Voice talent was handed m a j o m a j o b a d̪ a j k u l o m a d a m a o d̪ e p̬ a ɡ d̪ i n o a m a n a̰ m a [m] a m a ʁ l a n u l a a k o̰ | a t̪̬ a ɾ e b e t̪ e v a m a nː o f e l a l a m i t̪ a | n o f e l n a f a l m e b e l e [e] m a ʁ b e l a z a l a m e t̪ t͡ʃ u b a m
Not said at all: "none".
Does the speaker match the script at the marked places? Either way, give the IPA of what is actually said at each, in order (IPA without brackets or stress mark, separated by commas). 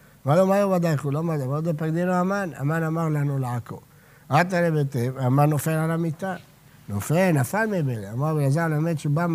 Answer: n, a